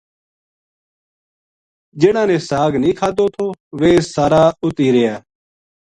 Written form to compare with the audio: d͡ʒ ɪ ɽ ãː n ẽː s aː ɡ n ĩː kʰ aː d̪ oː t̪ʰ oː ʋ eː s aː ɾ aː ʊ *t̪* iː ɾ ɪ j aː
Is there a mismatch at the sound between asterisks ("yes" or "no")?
no